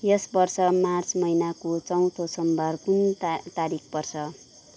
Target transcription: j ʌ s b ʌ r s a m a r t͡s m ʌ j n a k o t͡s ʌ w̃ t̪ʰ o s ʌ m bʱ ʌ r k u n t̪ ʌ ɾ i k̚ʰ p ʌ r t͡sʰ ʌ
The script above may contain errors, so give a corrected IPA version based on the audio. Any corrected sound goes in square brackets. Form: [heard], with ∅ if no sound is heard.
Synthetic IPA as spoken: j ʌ s b ʌ r s [ʌ] m a r t͡s m ʌ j n a k o t͡s ʌ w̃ t̪ʰ o s ʌ m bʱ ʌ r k u n t̪ [a] ɾ i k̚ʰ p ʌ r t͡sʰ ʌ

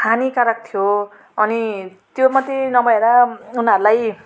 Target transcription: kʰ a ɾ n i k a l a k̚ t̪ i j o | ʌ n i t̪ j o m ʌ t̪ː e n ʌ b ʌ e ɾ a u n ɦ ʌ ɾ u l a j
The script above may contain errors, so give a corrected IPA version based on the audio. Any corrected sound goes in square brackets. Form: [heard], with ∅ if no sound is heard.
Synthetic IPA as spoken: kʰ a [∅] n i k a [ɾ] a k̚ [t̪ʰ] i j o | ʌ n i t̪ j o m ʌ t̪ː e n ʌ b ʌ e ɾ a u n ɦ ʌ ɾ u l a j

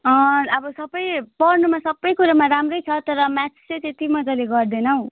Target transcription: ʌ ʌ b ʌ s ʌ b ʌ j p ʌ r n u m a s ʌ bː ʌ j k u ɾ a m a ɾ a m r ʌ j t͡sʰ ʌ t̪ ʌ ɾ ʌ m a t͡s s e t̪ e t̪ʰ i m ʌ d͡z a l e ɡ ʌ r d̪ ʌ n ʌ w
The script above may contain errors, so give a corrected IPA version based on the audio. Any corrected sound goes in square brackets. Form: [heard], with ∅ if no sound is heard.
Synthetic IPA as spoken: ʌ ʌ b ʌ s ʌ b ʌ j p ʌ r n u m a s ʌ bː ʌ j k u ɾ a m a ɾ a m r ʌ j t͡sʰ ʌ t̪ ʌ ɾ ʌ m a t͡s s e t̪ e [t̪] i m ʌ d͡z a l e ɡ ʌ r d̪ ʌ n ʌ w

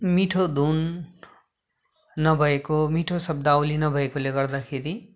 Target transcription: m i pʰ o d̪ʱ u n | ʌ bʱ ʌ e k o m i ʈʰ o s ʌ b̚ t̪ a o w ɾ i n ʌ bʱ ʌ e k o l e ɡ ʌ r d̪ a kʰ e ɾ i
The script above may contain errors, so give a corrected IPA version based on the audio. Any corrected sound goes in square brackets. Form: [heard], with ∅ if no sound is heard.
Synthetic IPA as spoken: m i [ʈʰ] o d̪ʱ u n | ʌ bʱ ʌ e k o m i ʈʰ o s ʌ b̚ [d̪] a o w [l] i n ʌ bʱ ʌ e k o l e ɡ ʌ r d̪ a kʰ e ɾ i

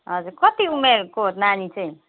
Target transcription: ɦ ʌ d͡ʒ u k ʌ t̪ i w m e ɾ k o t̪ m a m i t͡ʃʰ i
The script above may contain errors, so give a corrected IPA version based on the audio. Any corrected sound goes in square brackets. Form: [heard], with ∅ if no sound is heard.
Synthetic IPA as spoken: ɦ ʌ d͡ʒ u k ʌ t̪ i [u] m e ɾ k o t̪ [n] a [n] i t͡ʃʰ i

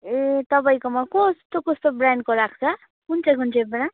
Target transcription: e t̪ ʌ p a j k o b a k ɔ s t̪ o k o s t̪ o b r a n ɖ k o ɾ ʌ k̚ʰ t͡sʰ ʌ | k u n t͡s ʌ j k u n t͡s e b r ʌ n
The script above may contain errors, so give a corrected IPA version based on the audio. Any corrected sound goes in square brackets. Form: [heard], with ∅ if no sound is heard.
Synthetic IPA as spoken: e t̪ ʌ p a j k o [m] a k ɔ s t̪ o k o s t̪ o b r a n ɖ k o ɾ [a] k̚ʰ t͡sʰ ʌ | k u n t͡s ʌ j k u n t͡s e b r [a] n

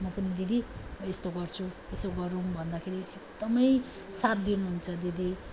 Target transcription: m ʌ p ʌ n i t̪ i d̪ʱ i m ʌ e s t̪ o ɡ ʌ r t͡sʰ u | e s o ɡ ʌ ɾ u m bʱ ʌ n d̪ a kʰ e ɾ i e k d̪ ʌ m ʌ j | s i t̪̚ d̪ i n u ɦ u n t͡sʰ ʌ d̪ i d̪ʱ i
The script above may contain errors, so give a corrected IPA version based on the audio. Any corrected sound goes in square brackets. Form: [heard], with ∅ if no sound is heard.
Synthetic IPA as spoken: m ʌ p ʌ n i [d̪] i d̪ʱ i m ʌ e s t̪ o ɡ ʌ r t͡sʰ u | e s o ɡ ʌ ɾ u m bʱ ʌ n d̪ a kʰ e ɾ i e k d̪ ʌ m ʌ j | s [a] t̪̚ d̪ i n u ɦ u n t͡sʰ ʌ d̪ i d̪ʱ i

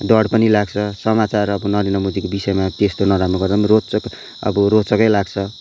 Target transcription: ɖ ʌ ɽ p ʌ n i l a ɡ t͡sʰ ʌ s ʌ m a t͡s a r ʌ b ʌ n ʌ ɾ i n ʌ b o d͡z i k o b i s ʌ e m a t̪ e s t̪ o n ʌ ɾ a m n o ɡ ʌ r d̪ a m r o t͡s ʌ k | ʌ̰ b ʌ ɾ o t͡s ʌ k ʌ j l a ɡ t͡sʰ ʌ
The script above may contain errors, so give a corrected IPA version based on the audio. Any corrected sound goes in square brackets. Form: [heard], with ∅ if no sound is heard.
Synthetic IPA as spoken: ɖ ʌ ɽ p ʌ n i l a ɡ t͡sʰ ʌ s ʌ m a t͡s a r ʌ b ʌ n ʌ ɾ i n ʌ [m] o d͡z i k o b i s ʌ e m a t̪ e s t̪ o n ʌ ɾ a m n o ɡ ʌ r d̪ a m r o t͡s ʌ k | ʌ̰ b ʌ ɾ o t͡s ʌ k ʌ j l a ɡ t͡sʰ ʌ

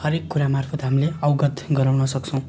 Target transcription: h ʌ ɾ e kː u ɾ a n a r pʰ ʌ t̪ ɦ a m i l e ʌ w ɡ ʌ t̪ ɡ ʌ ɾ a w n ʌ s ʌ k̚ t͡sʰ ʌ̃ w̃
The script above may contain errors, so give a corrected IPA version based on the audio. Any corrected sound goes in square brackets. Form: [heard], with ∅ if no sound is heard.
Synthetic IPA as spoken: h ʌ ɾ e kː u ɾ a [m] a r pʰ ʌ t̪ ɦ a m i l e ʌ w ɡ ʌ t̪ ɡ ʌ ɾ a w n ʌ s ʌ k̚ t͡sʰ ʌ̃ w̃

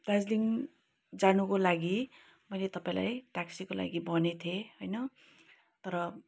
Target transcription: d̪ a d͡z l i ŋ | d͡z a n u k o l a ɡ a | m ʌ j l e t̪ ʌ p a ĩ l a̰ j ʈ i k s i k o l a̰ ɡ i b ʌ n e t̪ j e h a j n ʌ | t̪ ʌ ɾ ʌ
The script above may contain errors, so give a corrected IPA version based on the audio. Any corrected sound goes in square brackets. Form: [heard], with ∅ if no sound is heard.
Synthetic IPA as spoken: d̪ a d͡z l i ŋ | d͡z a n u k o l a ɡ [i] | m ʌ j l e t̪ ʌ p a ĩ l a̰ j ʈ [a] k s i k o l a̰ ɡ i b ʌ n e [t̪ʰ] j e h [ʌ] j n ʌ | t̪ ʌ ɾ ʌ

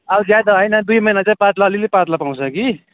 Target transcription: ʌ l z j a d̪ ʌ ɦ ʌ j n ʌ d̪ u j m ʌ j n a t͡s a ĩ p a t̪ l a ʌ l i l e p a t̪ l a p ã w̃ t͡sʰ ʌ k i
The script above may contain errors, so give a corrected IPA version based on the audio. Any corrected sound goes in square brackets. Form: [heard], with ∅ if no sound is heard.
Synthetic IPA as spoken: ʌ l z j a d̪ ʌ ɦ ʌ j n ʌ d̪ u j m ʌ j n a t͡s a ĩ p a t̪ l a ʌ l i l e p a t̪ l a p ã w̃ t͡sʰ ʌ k i

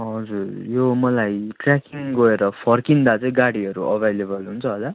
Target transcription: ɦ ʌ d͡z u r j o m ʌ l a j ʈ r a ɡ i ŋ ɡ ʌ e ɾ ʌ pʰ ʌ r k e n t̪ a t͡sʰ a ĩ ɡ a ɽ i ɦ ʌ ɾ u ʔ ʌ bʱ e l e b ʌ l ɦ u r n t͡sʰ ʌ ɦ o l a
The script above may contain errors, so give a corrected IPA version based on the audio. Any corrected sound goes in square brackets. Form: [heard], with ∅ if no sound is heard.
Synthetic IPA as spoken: ɦ ʌ d͡z u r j o m ʌ l a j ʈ r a [k] i ŋ ɡ ʌ e ɾ ʌ pʰ ʌ r k [i] n [d̪] a [t͡s] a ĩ ɡ a ɽ i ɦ ʌ ɾ u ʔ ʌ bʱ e l e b ʌ l ɦ u [∅] n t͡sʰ ʌ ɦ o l a

